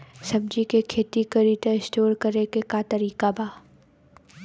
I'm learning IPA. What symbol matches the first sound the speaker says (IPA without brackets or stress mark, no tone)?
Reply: s